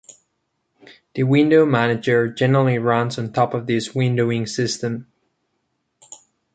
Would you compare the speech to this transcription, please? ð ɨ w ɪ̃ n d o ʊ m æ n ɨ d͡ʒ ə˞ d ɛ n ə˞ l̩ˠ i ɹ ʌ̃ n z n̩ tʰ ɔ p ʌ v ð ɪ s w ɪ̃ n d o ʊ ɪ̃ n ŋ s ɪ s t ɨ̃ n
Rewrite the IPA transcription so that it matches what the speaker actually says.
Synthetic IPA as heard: ð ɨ w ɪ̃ n d o ʊ m æ n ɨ d͡ʒ ə˞ d͡ʒ ɛ n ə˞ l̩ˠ i ɹ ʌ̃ n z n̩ tʰ ɔ p ʌ v ð ɪ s w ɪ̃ n d o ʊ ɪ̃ ŋ s ɪ s t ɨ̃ m